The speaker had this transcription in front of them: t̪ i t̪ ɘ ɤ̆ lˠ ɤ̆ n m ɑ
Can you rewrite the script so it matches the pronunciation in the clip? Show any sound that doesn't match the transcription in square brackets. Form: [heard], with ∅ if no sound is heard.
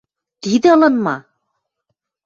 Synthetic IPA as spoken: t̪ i [d̪] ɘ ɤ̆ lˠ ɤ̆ n m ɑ